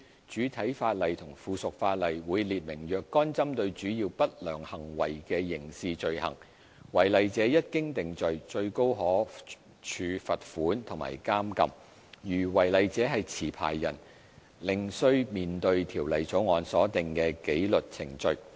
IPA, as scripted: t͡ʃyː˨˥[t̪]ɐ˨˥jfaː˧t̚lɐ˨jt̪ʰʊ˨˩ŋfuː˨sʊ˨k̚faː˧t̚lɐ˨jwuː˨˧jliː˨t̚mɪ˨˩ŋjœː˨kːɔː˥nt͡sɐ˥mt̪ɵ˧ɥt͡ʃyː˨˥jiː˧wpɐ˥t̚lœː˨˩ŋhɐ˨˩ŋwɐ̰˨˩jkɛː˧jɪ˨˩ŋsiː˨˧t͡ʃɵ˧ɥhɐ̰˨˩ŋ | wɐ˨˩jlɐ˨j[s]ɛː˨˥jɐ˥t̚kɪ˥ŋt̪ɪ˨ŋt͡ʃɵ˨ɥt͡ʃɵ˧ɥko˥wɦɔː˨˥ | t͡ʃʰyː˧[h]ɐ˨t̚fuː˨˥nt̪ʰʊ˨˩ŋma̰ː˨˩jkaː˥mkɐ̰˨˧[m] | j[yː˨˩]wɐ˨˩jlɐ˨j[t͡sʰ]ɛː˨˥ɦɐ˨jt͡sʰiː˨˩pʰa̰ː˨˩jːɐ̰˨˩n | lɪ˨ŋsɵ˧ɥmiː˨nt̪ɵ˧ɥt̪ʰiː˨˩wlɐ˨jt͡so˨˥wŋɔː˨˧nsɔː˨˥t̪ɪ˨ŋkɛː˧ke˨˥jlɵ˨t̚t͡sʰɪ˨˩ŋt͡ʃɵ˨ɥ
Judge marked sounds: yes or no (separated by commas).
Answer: no, no, no, yes, yes, no